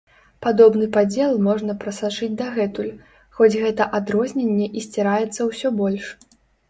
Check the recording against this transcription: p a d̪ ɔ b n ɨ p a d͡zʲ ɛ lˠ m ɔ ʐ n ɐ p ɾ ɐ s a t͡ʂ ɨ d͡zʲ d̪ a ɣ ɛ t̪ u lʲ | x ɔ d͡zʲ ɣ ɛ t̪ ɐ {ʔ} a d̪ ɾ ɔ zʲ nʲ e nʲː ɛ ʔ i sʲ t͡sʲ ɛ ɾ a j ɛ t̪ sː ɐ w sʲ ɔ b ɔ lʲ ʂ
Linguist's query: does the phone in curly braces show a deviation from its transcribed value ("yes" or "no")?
no